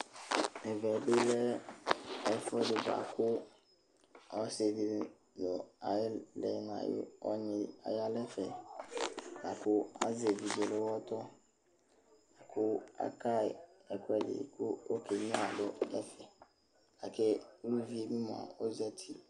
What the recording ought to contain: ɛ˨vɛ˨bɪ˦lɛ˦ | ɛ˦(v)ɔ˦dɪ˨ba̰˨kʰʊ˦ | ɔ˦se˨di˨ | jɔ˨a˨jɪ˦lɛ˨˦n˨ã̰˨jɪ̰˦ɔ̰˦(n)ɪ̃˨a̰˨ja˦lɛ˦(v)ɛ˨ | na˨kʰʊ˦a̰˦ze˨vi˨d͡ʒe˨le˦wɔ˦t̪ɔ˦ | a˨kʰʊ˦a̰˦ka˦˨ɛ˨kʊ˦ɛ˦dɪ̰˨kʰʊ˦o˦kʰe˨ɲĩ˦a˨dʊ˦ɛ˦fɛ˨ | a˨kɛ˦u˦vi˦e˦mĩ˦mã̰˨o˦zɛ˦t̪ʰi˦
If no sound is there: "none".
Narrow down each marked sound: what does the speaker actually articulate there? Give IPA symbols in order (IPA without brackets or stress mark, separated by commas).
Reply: f, ɲ, f